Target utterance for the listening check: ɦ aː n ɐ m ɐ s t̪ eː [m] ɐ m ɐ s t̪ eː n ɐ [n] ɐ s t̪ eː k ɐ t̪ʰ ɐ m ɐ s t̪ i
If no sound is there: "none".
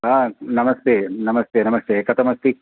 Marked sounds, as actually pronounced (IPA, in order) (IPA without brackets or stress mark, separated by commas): n, m